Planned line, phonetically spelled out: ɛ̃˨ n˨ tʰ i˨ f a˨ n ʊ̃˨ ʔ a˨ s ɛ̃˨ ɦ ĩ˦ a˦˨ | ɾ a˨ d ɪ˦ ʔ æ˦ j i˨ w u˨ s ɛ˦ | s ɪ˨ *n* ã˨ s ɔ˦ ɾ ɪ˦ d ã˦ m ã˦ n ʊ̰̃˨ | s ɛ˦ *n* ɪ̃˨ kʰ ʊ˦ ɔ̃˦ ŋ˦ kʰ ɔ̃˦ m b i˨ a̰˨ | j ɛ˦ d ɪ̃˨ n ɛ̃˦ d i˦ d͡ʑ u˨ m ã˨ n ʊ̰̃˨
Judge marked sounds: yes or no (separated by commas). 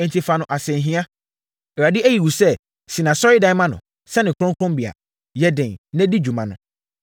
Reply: yes, yes